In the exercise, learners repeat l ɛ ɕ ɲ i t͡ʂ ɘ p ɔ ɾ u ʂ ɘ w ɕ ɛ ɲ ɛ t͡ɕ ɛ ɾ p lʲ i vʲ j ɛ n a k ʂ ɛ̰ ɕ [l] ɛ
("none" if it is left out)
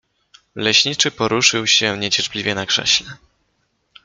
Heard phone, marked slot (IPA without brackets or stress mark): l